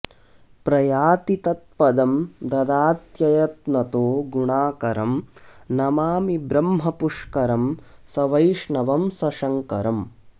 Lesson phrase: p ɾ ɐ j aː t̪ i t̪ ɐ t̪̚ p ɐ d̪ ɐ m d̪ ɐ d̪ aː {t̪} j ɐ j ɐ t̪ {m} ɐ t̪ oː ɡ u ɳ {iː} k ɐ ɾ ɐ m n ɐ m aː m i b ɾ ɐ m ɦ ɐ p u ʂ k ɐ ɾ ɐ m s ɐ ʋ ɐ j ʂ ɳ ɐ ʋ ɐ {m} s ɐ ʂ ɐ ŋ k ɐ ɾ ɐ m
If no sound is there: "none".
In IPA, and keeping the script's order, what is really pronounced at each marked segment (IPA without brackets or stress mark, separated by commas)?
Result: t̪, n, aː, m